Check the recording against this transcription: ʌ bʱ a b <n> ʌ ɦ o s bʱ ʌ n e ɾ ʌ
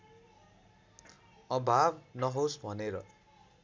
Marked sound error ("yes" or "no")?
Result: no